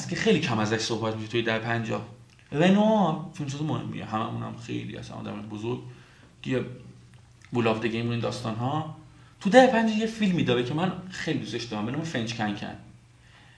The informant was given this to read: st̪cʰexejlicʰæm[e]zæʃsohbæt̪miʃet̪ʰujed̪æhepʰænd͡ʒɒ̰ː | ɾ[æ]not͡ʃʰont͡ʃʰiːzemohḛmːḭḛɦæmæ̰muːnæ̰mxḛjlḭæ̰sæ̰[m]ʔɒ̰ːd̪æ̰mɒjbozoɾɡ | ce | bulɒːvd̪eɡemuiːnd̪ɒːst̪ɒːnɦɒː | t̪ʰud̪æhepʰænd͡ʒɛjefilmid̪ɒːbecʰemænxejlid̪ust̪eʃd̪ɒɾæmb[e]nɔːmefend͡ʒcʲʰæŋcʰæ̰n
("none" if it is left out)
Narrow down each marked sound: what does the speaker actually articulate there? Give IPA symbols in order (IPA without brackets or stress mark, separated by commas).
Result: æ, e, n, e